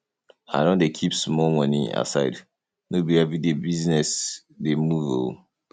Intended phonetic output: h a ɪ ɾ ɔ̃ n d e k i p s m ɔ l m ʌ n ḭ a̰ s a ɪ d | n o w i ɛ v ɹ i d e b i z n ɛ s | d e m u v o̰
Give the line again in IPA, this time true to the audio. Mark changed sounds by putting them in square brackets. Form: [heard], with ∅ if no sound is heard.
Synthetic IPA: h a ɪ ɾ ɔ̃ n d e [kʰ] i p s m ɔ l m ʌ n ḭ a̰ s a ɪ d | n o [b] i ɛ v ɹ i d e b i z n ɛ s | d e m u v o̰